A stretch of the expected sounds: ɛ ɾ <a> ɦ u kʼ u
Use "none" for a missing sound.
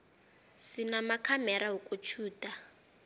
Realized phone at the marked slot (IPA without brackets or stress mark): a